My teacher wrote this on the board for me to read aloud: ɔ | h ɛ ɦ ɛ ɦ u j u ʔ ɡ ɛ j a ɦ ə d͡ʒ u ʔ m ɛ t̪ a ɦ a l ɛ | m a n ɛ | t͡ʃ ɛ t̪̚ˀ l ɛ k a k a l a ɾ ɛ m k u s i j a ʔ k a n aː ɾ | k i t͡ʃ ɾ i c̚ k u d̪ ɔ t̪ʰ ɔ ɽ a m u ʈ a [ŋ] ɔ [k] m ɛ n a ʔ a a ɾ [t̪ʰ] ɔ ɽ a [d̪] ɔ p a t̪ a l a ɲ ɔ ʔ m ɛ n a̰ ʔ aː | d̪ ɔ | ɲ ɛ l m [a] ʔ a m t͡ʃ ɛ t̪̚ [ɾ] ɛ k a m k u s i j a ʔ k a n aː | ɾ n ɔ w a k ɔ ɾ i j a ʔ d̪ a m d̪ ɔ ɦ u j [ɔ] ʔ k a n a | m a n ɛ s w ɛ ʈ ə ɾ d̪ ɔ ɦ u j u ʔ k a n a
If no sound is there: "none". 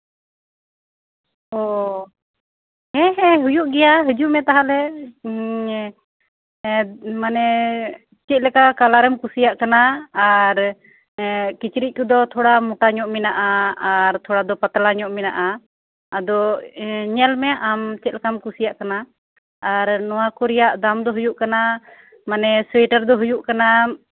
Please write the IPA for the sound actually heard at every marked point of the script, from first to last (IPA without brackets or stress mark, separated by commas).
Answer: ɲ, ʔ, t̪ʰ, d̪, ɛ, l, u